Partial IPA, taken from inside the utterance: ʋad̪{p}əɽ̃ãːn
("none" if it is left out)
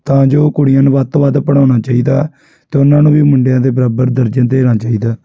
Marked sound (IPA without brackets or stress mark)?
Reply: p